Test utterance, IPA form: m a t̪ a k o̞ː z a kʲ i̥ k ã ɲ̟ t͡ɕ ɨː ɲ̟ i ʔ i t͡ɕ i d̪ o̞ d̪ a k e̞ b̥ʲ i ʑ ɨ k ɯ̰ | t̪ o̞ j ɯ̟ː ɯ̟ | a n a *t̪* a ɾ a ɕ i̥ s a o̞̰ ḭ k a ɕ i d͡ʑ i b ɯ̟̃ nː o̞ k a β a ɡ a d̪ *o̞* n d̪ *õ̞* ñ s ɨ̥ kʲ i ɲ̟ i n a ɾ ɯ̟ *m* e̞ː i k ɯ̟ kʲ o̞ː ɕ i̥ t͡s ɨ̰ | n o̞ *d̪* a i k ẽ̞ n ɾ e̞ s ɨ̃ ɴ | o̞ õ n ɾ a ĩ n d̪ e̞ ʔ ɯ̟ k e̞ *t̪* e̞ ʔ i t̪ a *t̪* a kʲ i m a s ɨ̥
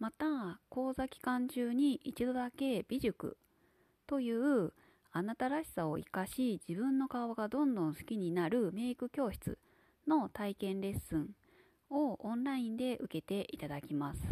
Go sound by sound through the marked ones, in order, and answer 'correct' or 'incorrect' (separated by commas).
correct, incorrect, correct, correct, incorrect, correct, incorrect